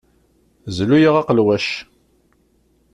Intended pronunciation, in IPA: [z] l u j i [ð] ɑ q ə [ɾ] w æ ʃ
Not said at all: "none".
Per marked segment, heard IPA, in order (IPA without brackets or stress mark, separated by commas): z, ʁ, l